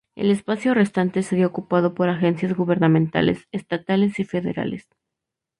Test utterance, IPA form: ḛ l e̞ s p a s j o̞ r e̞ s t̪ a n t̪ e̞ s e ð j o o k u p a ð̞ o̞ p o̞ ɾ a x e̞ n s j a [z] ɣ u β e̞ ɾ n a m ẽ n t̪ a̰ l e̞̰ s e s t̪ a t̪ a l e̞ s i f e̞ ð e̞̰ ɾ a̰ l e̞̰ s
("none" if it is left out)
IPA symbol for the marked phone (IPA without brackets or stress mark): z